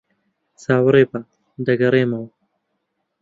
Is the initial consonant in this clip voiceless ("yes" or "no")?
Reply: yes